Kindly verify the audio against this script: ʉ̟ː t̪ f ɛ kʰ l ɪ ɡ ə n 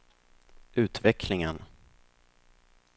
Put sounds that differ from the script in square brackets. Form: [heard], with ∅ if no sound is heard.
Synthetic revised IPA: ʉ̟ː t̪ [v] ɛ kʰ l ɪ [ŋ] ə n